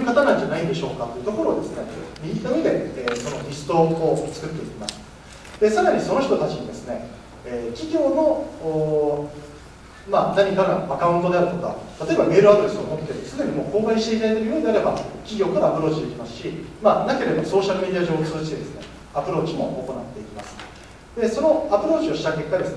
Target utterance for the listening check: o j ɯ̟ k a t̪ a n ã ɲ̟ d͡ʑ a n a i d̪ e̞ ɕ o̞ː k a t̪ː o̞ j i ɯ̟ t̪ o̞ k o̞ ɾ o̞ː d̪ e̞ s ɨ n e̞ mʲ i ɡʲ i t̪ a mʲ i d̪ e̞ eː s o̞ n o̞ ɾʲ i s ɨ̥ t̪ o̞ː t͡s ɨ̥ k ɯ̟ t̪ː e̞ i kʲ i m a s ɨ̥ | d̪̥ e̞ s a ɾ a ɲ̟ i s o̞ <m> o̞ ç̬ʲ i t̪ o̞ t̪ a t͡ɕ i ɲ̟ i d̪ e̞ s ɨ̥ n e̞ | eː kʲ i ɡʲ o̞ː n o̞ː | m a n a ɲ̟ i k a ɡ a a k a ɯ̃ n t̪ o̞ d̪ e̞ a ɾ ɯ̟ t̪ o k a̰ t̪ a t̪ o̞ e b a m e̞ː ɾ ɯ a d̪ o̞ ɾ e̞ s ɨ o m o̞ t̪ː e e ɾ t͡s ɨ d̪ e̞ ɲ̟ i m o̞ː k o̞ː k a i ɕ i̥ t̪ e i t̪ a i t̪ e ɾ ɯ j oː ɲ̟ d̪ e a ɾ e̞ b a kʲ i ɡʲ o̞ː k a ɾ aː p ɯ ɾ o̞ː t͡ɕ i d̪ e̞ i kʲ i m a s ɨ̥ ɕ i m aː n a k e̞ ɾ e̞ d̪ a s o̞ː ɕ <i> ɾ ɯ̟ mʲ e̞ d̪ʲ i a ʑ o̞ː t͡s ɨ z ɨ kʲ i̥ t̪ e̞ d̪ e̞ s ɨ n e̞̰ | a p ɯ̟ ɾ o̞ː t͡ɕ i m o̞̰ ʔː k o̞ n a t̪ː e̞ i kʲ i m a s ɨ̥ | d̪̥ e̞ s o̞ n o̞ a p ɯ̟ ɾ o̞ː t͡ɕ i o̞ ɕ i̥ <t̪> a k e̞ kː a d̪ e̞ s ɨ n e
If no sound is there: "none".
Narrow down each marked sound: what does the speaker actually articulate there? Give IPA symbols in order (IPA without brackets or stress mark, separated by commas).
n, a, t̪